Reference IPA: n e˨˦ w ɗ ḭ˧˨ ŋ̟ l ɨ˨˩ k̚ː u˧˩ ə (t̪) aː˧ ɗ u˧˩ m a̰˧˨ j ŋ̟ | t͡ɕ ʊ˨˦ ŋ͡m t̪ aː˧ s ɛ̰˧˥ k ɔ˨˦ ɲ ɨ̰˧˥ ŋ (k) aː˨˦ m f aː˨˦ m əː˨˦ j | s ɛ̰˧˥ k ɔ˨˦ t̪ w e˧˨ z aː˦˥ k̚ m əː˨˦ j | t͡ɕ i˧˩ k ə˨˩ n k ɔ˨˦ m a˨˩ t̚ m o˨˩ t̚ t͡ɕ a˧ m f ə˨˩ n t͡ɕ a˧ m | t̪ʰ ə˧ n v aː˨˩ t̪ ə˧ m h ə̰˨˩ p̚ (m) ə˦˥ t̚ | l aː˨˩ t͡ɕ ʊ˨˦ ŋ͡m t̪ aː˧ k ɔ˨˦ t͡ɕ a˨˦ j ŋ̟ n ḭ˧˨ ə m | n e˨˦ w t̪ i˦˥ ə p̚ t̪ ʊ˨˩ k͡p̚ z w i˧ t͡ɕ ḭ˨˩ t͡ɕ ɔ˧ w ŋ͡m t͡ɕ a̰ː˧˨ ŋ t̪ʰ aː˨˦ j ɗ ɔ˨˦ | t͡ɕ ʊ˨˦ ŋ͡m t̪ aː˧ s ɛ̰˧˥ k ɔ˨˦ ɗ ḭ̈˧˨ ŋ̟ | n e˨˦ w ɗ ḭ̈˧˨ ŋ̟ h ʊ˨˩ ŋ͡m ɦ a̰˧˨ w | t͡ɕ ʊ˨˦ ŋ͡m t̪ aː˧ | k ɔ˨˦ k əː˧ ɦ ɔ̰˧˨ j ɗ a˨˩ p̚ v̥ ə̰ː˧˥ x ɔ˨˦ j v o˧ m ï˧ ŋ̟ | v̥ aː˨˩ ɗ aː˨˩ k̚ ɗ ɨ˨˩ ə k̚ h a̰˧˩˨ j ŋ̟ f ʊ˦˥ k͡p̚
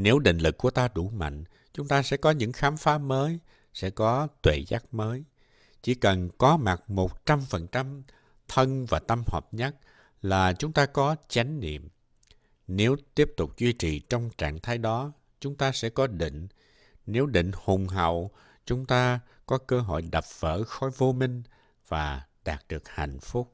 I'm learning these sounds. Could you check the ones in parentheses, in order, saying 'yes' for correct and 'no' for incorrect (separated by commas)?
yes, no, no